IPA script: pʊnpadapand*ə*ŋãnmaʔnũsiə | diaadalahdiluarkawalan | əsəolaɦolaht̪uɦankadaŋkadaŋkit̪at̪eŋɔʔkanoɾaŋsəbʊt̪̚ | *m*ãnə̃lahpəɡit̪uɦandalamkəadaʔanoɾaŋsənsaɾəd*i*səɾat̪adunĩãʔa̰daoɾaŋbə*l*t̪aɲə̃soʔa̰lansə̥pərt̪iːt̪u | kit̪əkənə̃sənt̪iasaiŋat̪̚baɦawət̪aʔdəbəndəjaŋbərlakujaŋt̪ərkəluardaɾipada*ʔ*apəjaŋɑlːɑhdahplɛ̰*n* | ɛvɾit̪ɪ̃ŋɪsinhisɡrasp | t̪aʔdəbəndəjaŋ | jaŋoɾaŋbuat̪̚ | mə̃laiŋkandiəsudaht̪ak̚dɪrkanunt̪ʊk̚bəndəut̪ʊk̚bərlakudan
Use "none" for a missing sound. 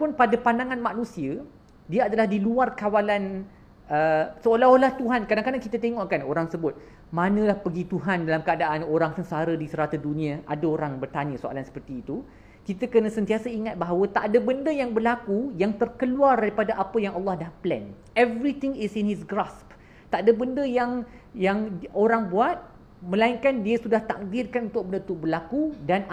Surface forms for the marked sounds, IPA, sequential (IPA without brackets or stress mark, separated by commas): a, m, i, r, ʔ, n